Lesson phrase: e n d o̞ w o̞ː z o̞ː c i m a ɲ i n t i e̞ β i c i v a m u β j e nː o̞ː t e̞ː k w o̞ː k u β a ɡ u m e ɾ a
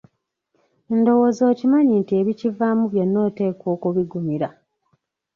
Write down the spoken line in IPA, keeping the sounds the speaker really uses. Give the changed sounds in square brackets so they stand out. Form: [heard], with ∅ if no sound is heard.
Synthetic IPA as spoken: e n d o̞ w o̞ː z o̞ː c i m a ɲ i n t i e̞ β i c i v a m u β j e nː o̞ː t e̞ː k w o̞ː k u β [i] ɡ u m [i] ɾ a